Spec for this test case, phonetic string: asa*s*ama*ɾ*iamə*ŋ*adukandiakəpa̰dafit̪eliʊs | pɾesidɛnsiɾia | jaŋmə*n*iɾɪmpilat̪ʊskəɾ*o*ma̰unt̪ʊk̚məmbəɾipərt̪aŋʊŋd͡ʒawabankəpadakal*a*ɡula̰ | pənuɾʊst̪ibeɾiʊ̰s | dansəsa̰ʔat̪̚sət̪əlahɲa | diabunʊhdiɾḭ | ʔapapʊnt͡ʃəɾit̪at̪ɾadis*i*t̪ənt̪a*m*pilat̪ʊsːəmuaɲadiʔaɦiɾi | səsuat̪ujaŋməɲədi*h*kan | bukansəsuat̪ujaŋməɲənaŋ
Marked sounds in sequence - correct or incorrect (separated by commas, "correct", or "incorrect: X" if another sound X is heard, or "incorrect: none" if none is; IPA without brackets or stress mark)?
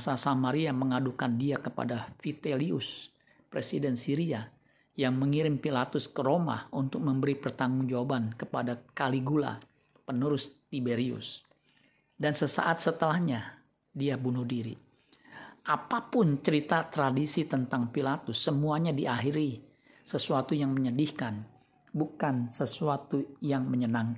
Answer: correct, correct, correct, incorrect: ŋ, correct, incorrect: i, correct, incorrect: ŋ, correct